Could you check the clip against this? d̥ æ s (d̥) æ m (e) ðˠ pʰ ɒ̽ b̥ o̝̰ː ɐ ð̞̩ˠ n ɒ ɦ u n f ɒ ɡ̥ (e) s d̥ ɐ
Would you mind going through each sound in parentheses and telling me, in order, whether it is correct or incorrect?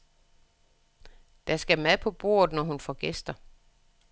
incorrect: ɡ̥, incorrect: æ, correct

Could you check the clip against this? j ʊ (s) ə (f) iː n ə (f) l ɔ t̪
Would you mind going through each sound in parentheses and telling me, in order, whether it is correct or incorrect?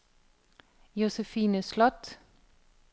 correct, correct, incorrect: s

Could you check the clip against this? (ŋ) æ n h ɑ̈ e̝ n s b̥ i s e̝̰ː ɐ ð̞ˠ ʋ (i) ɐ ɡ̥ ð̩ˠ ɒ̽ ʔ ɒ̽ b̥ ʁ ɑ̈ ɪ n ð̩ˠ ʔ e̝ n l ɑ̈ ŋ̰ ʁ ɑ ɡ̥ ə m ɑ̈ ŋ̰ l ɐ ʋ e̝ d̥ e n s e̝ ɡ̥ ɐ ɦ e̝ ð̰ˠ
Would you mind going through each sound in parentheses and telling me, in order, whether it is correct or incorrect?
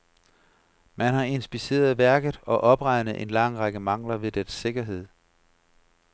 incorrect: m, incorrect: æ

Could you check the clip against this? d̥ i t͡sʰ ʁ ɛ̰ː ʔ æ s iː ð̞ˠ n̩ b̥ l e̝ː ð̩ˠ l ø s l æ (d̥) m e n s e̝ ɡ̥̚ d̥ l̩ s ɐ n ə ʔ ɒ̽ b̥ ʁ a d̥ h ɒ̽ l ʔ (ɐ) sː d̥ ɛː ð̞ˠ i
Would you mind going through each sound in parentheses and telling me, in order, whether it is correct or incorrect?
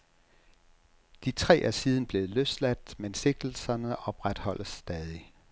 correct, incorrect: ə

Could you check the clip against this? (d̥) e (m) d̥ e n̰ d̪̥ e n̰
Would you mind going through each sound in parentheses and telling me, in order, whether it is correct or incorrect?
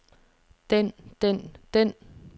correct, incorrect: n

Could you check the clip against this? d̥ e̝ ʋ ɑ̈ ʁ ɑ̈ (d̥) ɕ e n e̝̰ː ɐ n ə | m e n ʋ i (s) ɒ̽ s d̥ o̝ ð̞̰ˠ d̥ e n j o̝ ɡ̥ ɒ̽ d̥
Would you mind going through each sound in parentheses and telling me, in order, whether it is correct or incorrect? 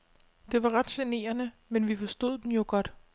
correct, incorrect: f

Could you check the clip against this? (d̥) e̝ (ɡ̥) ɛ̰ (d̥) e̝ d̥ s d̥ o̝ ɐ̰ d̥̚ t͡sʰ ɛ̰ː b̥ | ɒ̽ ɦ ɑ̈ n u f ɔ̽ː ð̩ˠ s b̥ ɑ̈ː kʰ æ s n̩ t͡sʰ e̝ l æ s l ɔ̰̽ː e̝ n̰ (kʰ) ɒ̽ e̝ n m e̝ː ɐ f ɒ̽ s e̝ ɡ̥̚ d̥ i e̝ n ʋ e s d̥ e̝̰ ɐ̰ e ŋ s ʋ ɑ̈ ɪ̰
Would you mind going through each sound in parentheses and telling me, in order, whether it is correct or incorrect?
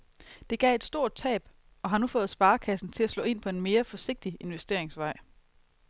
correct, correct, incorrect: none, incorrect: pʰ

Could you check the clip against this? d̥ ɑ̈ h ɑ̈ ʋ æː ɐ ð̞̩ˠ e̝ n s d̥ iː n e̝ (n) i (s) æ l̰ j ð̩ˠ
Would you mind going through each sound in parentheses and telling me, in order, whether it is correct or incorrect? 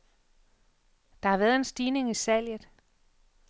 incorrect: ŋ, correct

